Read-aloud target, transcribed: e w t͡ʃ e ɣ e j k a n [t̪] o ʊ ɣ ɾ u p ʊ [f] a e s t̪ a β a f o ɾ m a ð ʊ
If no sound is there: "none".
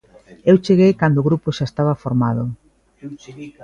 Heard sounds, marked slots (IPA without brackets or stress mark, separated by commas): d̪, ʃ